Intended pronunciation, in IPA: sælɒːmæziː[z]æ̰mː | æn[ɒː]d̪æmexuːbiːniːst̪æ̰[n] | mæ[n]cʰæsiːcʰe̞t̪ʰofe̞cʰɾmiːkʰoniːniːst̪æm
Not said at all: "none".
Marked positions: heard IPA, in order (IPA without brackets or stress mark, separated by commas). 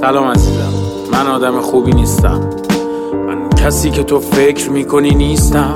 z, ɒː, m, n